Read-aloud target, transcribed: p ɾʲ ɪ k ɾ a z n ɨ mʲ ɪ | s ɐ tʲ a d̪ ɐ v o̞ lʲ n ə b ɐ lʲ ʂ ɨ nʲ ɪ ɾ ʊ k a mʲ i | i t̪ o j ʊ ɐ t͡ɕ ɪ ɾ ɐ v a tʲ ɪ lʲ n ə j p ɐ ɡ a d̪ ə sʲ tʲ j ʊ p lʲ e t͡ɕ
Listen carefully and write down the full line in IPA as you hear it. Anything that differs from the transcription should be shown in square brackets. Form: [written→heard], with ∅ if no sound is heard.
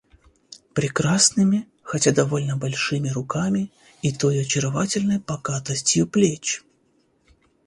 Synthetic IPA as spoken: p ɾʲ ɪ k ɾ a [z→s] n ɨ mʲ ɪ | [s→x] ɐ tʲ a d̪ ɐ v o̞ lʲ n ə b ɐ lʲ ʂ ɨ [nʲ→mʲ] ɪ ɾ ʊ k a mʲ [i→ɪ] | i t̪ o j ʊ ɐ t͡ɕ ɪ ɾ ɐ v a tʲ ɪ lʲ n ə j p ɐ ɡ a [d̪→t̪] ə sʲ tʲ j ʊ p lʲ e t͡ɕ